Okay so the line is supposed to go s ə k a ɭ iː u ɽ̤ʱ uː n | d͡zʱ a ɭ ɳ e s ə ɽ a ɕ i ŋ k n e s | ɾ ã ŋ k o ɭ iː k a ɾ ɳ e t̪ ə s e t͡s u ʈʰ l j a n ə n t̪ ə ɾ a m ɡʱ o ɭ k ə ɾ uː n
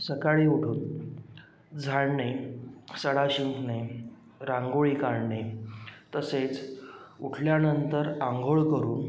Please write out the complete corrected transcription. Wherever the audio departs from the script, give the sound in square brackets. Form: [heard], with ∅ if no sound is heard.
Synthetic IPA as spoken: s ə k a ɭ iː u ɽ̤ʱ uː n | d͡zʱ a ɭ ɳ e s ə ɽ a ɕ i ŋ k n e [∅] | ɾ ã ŋ [ɡ] o ɭ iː k a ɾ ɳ e t̪ ə s e t͡s u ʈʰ l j a n ə n t̪ ə ɾ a [ŋ] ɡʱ o ɭ k ə ɾ uː n